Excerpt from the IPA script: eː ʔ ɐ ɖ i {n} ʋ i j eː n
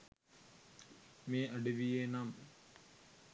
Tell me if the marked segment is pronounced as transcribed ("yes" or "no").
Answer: no